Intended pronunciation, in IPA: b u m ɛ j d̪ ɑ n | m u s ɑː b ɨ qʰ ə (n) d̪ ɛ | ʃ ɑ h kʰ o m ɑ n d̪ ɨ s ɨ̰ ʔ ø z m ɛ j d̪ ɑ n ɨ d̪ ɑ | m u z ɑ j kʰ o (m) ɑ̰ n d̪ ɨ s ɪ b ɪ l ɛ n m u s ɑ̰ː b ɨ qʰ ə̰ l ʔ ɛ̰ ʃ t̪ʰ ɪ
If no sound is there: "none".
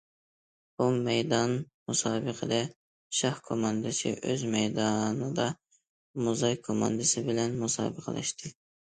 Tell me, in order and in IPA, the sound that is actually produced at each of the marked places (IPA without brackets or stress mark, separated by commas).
none, m